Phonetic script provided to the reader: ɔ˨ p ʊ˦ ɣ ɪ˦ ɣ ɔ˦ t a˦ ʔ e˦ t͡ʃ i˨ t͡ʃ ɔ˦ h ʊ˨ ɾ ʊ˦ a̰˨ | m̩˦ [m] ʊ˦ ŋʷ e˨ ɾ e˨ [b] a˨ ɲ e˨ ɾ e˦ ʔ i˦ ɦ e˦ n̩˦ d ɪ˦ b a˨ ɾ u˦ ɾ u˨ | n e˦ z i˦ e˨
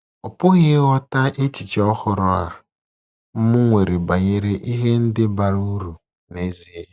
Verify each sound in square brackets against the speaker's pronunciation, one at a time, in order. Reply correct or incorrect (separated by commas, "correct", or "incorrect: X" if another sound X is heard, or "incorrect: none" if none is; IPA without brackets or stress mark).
correct, correct